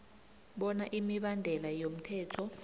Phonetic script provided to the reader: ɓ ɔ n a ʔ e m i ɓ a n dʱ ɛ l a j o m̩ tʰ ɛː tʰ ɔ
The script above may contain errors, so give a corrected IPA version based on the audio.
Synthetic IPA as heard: ɓ ɔ n a ʔ i m i ɓ a n dʱ ɛ l a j o m̩ tʰ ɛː tʰ ɔ

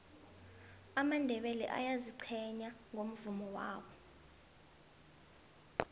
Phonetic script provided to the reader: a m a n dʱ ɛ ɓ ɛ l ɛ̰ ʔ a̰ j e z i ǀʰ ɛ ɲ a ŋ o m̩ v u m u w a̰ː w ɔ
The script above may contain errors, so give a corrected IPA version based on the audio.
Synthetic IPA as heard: a m a n dʱ ɛ ɓ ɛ l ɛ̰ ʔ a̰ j a z i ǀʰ ɛ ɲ a ŋ o m̩ v u m ɔ w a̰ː w ɔ

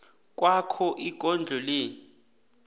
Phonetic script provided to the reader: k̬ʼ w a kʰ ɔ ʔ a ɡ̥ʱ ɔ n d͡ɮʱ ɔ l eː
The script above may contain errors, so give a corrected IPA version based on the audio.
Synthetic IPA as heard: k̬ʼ w a kʰ ɔ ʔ i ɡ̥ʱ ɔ n d͡ɮʱ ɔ l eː

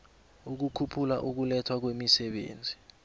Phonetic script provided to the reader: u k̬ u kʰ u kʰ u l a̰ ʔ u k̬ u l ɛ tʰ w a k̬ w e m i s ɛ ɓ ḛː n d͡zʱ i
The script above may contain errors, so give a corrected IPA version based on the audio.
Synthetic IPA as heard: u k̬ u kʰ u pʰ u l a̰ ʔ u k̬ u l ɛ tʰ w a k̬ w e m i s ɛ ɓ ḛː n d͡zʱ i

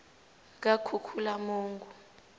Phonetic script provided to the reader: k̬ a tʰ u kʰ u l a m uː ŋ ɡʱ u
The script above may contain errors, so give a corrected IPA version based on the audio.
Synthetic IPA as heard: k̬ a kʰ u kʰ u l a m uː ŋ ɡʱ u

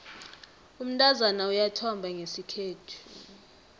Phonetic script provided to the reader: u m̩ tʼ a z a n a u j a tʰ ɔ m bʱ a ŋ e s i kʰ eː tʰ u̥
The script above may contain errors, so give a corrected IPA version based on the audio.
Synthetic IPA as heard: u m̩ tʼ a z a n a u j a tʰ ɔ m bʱ a ŋ e s i kʰ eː tʰ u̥

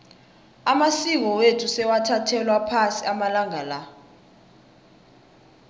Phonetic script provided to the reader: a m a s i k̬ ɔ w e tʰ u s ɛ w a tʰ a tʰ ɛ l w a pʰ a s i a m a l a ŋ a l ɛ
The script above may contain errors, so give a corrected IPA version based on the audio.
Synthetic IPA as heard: a m a s i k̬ ɔ w e tʰ u s ɛ w a tʰ a tʰ ɛ l w a pʰ a s i a m a l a ŋ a l a

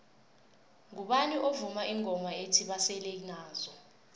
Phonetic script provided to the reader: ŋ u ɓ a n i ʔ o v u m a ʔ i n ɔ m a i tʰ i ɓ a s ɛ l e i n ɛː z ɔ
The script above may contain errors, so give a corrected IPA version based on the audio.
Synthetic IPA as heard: ŋ u ɓ a n i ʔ o v u m a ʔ i ŋ ɔ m a e tʰ i ɓ a s ɛ l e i n aː z ɔ

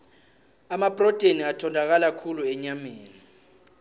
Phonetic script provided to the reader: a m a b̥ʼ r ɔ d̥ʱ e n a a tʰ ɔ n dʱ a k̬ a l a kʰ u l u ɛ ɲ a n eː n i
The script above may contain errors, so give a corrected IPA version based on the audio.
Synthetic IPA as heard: a m a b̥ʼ r ɔ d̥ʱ e n i a tʰ ɔ n dʱ a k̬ a l a kʰ u l u ɛ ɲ a m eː n i

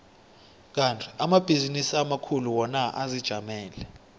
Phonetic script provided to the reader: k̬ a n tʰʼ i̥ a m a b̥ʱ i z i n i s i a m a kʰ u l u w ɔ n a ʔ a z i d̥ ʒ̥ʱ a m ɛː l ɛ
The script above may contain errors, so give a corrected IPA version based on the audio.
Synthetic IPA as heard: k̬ a n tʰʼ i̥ a m a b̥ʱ i z i n i s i a m a kʰ u l u w ɔ n a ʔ a z i d̥ ʒ̥ʱ a m ɛː l ɛ

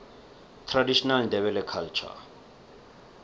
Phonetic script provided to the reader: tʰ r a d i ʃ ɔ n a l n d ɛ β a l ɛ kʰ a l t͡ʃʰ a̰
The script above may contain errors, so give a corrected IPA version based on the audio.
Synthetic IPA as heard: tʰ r a d i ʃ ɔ n a l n d ɛ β ɛ l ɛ kʰ a l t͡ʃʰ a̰

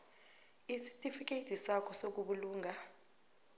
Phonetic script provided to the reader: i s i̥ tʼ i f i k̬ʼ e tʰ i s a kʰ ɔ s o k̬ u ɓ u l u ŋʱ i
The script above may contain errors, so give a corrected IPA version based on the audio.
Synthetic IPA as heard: i s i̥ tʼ i f i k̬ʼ e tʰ i s a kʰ ɔ s o k̬ u ɓ u l uː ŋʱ a

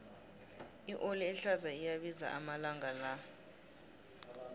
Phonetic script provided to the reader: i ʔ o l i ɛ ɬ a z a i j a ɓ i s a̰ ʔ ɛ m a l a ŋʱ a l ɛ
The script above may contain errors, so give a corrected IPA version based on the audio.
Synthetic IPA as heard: i ʔ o l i ɛ ɬ a z a i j a ɓ i z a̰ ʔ a m a l a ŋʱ a l a

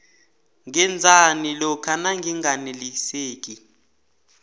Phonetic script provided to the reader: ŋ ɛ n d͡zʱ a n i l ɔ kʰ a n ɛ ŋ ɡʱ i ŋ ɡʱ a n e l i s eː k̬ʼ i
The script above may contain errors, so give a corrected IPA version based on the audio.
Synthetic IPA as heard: ŋ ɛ n d͡zʱ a n i l ɔ kʰ a n a ŋ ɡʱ i ŋ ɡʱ a n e l i s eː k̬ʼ i

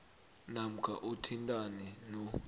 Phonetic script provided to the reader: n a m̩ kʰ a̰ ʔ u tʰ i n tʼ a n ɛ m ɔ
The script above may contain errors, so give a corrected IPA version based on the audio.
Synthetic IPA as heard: n a m̩ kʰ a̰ ʔ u tʰ i n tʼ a n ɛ n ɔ

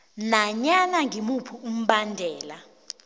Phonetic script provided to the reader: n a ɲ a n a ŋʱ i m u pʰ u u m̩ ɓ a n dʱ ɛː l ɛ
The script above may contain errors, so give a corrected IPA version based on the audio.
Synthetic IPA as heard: n a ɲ a n a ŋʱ i m u pʰ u u m̩ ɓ a n dʱ ɛː l a

